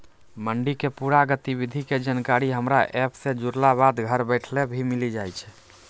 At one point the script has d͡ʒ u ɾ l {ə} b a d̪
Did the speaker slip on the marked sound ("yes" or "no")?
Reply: yes